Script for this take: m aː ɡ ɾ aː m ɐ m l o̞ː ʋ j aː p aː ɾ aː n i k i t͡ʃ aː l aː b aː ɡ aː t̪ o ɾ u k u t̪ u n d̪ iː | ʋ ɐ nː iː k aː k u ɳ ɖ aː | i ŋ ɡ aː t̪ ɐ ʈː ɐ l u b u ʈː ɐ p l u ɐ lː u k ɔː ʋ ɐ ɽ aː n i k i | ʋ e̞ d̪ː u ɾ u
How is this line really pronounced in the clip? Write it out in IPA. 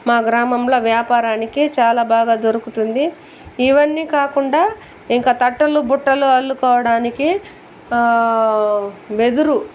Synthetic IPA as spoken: m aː ɡ ɾ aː m ɐ m l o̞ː ʋ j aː p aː ɾ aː n i k i t͡ʃ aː l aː b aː ɡ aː d̪ o ɾ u k u t̪ u n d̪ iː | ʋ ɐ nː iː k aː k u ɳ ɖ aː | i ŋ k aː t̪ ɐ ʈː ɐ l u b u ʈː ɐ l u ɐ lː u k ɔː ʋ ɐ ɽ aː n i k i | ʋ e̞ d̪ u ɾ u